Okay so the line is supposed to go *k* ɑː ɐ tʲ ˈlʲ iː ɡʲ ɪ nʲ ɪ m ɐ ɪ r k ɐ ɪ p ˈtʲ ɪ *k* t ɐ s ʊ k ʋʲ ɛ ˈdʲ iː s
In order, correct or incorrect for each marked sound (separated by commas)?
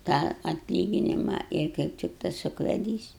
incorrect, correct